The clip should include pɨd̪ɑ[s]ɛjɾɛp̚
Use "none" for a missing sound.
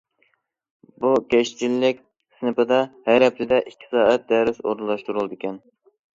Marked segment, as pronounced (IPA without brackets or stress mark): h